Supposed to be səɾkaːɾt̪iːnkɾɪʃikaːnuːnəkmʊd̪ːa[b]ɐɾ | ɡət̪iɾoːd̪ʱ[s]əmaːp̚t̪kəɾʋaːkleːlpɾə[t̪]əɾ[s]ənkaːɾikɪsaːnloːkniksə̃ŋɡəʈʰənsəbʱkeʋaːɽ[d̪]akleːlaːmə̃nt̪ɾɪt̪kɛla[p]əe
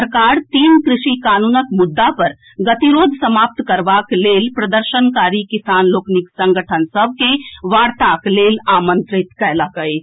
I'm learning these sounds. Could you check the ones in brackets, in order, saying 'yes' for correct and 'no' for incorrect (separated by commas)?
no, yes, no, no, no, no